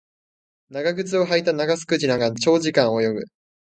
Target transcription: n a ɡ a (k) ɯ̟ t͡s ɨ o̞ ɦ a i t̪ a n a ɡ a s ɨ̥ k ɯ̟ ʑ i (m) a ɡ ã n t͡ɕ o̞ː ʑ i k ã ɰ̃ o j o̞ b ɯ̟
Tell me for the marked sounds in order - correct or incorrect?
incorrect: ɡ, incorrect: n

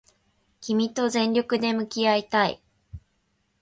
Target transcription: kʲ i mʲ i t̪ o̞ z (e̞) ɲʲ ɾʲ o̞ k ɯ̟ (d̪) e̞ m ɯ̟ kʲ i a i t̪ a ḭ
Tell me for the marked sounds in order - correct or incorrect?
incorrect: ẽ̞, correct

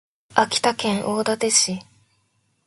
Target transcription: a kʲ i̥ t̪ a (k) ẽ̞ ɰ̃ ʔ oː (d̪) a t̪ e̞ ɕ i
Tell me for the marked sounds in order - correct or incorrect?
correct, correct

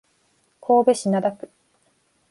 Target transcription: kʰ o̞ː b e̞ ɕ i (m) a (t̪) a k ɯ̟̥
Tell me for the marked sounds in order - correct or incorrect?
incorrect: n, incorrect: d̪

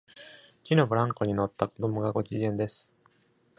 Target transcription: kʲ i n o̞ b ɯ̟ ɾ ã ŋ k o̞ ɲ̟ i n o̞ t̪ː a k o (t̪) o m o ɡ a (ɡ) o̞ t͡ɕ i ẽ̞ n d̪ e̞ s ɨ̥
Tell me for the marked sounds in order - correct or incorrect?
incorrect: d̪, correct

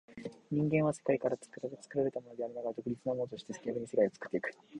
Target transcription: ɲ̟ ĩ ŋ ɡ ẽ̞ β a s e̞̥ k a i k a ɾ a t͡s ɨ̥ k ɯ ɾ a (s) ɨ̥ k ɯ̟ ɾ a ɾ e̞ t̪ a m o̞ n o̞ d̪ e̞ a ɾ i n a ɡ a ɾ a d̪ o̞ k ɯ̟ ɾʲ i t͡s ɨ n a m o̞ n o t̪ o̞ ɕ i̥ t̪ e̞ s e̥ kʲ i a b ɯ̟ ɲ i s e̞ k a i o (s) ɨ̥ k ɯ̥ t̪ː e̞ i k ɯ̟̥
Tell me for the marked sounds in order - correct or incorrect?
incorrect: t͡s, incorrect: t͡s

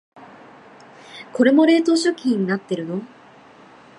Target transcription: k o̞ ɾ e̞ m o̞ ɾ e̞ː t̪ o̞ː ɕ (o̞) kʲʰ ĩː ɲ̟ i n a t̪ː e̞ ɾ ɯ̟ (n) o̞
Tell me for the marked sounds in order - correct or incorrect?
correct, correct

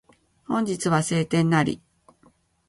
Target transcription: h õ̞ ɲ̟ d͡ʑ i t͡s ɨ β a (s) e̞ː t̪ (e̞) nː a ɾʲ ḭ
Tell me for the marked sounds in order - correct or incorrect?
correct, incorrect: ẽ̞

